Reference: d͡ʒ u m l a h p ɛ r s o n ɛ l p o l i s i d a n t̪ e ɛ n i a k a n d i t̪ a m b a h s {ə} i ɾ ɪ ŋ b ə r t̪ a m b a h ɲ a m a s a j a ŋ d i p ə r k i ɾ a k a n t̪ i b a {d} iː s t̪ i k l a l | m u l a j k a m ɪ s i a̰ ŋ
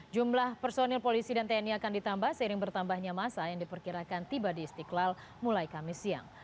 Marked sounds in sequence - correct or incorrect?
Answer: correct, correct

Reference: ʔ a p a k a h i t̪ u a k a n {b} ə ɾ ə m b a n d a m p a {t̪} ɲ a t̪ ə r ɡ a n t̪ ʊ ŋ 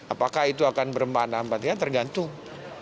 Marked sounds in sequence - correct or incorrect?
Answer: correct, correct

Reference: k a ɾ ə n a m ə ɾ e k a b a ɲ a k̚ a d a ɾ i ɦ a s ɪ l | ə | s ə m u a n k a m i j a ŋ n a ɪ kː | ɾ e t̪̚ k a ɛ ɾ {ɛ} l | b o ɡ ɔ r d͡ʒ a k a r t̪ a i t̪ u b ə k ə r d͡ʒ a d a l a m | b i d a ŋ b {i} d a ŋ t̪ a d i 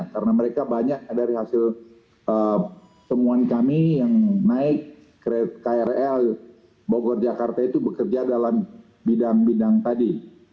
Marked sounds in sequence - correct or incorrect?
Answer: correct, correct

